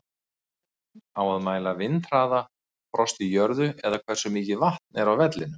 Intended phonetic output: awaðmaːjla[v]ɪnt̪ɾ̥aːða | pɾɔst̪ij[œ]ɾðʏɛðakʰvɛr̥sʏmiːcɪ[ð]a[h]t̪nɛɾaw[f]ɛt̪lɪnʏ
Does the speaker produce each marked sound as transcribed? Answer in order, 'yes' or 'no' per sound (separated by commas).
yes, yes, no, yes, no